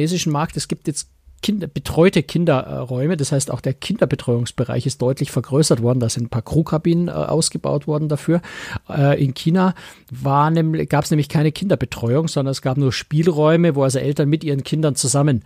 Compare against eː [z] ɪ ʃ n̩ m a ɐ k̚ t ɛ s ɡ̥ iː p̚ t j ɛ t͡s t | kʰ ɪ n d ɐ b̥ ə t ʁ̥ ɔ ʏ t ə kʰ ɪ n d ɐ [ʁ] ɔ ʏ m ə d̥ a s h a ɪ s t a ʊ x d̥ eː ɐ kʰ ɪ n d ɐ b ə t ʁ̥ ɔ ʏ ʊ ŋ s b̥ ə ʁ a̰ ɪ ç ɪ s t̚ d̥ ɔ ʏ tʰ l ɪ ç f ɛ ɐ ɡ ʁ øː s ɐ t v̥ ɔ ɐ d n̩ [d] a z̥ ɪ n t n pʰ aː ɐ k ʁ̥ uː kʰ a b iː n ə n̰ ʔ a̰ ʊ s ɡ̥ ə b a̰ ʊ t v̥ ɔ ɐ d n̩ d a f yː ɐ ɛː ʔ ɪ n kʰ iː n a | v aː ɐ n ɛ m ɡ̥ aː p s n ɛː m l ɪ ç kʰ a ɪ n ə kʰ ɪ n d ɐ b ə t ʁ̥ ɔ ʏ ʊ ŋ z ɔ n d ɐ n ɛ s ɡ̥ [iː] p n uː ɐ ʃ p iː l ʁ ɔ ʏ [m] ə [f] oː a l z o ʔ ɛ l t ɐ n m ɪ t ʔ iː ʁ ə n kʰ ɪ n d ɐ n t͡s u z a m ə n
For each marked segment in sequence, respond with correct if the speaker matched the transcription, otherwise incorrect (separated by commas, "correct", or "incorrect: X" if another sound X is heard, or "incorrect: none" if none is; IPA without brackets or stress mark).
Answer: correct, correct, correct, incorrect: aː, correct, incorrect: v